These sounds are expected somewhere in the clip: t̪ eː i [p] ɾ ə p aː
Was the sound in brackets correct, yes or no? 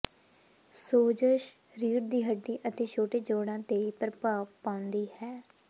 yes